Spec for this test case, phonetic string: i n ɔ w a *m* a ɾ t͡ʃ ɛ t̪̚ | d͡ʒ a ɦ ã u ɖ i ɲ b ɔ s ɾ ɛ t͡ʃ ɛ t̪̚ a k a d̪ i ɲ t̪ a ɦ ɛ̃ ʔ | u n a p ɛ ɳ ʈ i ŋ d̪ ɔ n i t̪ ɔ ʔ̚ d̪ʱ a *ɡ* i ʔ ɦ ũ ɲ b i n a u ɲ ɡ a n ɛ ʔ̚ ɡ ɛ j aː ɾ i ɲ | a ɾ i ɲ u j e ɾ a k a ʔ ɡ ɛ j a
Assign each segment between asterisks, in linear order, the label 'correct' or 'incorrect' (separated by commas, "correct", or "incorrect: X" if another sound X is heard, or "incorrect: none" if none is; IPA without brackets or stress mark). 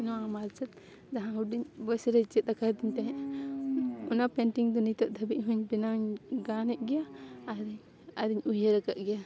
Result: correct, incorrect: b